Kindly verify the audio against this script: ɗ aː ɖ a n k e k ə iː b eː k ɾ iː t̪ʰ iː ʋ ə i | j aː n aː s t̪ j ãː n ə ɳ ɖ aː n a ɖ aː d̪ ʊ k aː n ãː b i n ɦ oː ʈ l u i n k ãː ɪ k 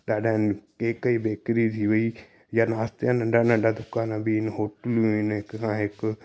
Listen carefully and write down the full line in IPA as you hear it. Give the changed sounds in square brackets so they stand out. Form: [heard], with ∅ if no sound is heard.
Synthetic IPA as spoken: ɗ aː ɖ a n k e k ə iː b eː k ɾ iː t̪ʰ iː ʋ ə i | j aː n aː s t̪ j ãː n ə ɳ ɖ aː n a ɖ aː d̪ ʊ k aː n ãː b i n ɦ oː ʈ l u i n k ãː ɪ k